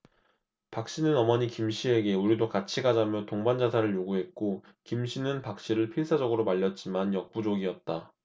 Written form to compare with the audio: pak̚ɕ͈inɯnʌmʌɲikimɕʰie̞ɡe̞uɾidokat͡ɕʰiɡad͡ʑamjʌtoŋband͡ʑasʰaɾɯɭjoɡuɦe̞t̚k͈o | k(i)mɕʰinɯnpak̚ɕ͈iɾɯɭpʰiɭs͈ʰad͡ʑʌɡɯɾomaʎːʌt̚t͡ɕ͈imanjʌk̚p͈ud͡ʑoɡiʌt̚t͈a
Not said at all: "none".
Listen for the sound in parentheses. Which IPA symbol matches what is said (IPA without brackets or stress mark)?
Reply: i